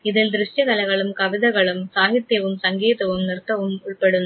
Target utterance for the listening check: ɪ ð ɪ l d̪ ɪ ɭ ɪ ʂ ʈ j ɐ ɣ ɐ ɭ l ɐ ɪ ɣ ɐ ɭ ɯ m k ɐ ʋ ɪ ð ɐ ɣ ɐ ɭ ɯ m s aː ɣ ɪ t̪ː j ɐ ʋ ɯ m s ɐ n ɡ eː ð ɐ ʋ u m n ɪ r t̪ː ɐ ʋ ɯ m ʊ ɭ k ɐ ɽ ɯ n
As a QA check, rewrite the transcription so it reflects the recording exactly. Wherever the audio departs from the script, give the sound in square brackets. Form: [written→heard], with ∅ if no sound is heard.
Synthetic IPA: ɪ ð ɪ l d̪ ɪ [ɭ→ɾ] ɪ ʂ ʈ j ɐ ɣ ɐ [ɭ→∅] l ɐ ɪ ɣ ɐ ɭ ɯ m k ɐ ʋ ɪ ð ɐ ɣ ɐ ɭ ɯ m s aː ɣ ɪ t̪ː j ɐ ʋ ɯ m s ɐ [n→ŋ] ɡ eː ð ɐ ʋ [u→ɯ] m n ɪ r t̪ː ɐ ʋ ɯ m ʊ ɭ [k→p] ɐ ɽ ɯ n

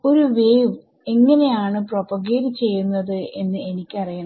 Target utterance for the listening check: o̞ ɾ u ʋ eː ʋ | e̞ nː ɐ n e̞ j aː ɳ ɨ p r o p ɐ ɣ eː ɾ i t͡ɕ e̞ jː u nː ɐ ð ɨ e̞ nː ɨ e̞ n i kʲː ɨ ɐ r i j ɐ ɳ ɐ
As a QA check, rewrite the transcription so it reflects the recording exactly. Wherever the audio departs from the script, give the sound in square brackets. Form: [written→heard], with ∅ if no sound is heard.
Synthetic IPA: o̞ ɾ u ʋ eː ʋ | e̞ [nː→ŋː] ɐ n e̞ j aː ɳ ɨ p r o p ɐ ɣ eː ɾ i t͡ɕ e̞ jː u nː ɐ ð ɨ e̞ nː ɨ e̞ n i kʲː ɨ ɐ r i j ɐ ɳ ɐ

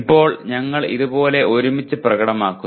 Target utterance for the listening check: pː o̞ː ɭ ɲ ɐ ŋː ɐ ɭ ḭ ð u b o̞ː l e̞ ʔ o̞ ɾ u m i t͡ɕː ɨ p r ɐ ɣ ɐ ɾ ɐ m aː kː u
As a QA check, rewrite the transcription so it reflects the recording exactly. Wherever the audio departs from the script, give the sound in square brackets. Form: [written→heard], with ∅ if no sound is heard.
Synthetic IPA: pː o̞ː ɭ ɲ ɐ ŋː ɐ ɭ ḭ ð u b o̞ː l e̞ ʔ o̞ ɾ u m i t͡ɕː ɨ p r ɐ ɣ ɐ [ɾ→ɽ] ɐ m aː kː u

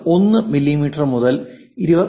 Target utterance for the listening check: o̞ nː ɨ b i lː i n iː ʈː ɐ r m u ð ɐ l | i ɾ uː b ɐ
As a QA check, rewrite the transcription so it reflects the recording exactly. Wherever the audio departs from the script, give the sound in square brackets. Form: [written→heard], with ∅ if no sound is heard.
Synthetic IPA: o̞ nː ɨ [b→m] i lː i [n→m] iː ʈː ɐ r m u ð ɐ l | i ɾ [uː→u] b ɐ

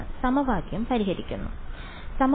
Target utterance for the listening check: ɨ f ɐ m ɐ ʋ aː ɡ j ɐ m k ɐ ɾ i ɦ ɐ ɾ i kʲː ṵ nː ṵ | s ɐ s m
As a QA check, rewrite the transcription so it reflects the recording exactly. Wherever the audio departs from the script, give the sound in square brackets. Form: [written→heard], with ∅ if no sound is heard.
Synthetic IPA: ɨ [f→s] ɐ m ɐ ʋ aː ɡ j ɐ m [k→p] ɐ ɾ i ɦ ɐ ɾ i kʲː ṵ nː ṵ | s ɐ [s→∅] m

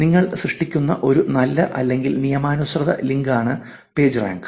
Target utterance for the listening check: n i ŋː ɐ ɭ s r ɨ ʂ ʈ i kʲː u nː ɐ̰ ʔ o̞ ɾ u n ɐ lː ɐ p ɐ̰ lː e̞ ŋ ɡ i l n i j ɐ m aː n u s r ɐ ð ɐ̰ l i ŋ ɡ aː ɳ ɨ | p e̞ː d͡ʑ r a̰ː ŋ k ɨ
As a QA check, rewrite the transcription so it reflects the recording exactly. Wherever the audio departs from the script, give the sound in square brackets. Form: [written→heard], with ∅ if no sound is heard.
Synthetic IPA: n i ŋː ɐ ɭ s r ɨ ʂ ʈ i kʲː u nː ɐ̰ ʔ o̞ ɾ u n ɐ lː ɐ [p→ʔ] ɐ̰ lː e̞ ŋ ɡ i l n i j ɐ m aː n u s r ɐ ð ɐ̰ l i ŋ ɡ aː ɳ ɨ | p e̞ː d͡ʑ r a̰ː ŋ [k→ɡ] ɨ

